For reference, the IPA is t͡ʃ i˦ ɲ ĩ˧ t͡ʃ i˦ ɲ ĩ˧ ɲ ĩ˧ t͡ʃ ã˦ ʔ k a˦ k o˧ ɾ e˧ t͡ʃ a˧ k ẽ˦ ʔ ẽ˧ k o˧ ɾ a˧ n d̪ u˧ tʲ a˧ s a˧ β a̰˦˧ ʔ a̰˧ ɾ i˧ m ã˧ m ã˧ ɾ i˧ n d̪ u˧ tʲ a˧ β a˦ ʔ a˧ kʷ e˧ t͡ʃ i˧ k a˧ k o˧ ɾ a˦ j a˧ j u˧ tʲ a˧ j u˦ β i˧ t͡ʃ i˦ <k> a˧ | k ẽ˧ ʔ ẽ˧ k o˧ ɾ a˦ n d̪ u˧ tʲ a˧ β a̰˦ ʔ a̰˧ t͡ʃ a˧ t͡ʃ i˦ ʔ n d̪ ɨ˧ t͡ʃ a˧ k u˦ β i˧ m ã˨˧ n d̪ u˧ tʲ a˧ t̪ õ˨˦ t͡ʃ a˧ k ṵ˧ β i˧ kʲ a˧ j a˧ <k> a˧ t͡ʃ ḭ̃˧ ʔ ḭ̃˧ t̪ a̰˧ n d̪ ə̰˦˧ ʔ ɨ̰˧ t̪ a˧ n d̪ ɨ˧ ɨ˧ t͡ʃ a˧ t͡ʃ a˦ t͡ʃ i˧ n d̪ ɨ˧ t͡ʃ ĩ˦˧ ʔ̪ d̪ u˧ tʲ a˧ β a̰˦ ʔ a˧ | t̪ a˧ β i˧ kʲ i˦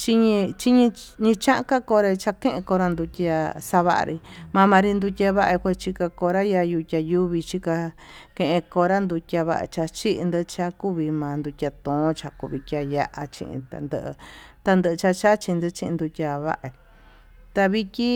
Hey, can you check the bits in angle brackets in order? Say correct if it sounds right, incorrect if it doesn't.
correct, incorrect

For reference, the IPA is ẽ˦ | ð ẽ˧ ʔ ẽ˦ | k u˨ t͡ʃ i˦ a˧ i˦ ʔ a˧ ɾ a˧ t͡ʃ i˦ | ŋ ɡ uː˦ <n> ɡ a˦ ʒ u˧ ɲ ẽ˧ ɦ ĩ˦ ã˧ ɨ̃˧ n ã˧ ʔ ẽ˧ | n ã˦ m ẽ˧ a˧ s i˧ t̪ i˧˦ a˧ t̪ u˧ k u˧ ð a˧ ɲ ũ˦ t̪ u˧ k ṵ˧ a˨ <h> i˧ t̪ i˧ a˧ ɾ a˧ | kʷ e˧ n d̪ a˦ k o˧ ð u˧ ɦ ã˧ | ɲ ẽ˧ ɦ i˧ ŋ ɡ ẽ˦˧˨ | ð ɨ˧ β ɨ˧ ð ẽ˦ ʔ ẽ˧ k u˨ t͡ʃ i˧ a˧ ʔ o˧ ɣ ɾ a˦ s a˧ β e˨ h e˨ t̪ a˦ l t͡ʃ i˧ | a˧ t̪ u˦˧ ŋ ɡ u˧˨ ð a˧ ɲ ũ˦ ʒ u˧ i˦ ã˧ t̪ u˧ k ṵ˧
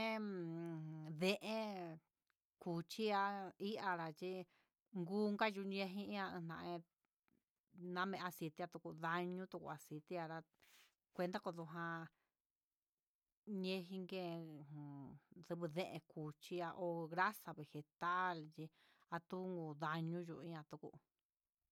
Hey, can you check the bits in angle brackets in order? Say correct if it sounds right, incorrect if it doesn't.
incorrect, incorrect

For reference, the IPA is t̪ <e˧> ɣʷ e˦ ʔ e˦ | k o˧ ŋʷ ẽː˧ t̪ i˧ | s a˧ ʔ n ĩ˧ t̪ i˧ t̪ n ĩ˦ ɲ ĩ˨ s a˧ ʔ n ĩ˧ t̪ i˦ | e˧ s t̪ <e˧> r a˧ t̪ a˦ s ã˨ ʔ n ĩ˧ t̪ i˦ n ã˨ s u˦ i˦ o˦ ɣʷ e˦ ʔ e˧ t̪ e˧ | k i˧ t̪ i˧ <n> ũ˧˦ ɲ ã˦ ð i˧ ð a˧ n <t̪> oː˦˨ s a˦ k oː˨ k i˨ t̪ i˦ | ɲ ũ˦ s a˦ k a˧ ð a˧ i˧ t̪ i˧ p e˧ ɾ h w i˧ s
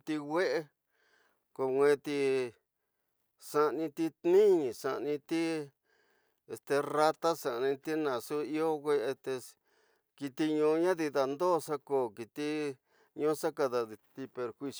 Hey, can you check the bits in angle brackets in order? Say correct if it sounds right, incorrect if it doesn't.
incorrect, correct, incorrect, incorrect

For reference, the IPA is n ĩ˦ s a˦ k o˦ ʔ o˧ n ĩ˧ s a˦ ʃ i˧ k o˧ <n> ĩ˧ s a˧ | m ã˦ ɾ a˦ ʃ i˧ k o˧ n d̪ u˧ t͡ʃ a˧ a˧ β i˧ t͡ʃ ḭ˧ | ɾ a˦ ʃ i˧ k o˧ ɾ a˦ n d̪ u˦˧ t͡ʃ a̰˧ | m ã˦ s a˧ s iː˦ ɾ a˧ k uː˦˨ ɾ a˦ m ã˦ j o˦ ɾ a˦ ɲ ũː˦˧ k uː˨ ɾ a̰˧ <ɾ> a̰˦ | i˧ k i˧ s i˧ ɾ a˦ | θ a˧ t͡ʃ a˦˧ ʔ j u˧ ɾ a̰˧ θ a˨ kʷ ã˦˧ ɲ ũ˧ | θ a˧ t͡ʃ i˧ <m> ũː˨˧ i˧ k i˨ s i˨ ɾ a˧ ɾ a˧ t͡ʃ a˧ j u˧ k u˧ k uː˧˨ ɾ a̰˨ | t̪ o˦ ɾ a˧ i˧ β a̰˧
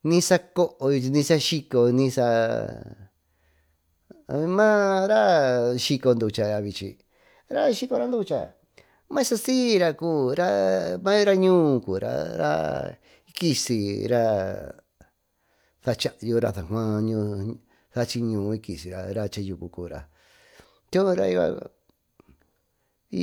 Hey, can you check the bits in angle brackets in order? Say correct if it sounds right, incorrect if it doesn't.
correct, correct, incorrect

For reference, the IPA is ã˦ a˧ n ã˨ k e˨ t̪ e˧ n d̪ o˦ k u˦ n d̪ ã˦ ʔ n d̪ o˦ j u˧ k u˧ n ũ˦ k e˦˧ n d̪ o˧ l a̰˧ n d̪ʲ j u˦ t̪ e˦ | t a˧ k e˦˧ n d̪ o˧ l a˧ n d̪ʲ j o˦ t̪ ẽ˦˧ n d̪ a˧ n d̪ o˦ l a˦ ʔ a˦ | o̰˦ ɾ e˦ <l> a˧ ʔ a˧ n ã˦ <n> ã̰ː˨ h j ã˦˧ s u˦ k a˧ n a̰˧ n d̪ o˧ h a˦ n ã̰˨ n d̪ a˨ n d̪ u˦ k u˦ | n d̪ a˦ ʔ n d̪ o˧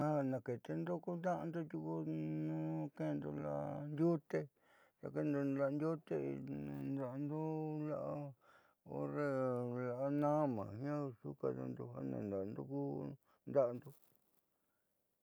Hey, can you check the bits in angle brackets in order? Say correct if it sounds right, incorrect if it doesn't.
correct, incorrect

